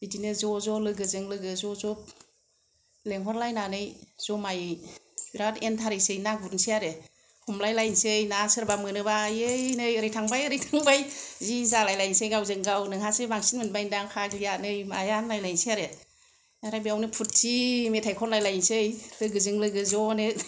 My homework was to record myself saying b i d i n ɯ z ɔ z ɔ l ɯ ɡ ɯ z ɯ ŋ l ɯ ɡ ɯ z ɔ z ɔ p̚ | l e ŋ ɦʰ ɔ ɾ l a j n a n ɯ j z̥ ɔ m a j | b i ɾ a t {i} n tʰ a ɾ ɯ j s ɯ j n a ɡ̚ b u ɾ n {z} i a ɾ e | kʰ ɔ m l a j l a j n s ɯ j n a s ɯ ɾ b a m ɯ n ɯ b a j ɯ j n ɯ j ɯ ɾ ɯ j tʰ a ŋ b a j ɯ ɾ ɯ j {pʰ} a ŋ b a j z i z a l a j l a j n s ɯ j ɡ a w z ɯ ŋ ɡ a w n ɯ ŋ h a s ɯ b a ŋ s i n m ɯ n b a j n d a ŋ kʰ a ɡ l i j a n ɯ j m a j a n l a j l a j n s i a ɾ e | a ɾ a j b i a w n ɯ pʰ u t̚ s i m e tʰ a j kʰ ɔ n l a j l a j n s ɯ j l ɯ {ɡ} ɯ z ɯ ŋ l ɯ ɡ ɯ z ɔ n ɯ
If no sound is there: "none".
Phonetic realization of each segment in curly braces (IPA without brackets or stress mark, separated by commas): e, s, tʰ, ɡ